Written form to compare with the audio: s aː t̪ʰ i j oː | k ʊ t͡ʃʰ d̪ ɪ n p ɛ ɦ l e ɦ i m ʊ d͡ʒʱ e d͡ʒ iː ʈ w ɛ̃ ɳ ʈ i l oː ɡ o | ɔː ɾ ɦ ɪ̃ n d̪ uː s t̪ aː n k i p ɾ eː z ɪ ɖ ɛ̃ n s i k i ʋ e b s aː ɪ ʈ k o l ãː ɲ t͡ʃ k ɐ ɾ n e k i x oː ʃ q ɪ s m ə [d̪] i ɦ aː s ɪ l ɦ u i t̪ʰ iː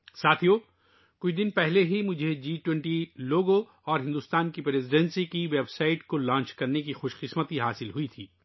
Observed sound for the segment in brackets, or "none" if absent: t̪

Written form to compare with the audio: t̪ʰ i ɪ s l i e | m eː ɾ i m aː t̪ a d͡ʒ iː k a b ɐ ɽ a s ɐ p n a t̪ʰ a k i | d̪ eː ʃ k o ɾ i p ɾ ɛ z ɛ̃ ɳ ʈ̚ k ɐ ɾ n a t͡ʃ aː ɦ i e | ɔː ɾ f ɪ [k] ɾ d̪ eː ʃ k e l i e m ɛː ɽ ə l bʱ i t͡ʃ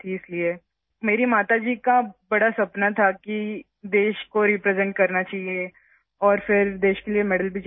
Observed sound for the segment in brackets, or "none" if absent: none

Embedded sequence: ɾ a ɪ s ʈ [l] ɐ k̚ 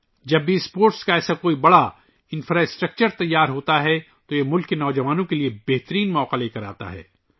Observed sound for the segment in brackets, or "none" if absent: ɾ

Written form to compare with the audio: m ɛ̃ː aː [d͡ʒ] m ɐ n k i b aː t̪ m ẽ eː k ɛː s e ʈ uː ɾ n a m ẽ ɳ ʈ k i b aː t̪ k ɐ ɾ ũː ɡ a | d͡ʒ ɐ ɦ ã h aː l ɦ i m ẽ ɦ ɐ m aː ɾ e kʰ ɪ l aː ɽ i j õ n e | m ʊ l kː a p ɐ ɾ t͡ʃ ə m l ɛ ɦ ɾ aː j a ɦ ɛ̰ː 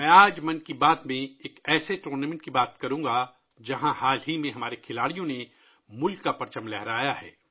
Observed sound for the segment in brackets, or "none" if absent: d͡ʒ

